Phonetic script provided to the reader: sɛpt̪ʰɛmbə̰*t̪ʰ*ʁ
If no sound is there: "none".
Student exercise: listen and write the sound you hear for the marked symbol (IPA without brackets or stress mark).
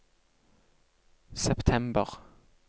none